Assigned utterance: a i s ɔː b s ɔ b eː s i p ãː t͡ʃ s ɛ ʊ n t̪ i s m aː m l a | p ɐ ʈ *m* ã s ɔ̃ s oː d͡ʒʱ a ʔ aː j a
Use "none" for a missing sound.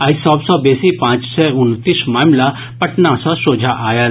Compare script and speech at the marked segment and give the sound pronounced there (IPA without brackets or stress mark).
n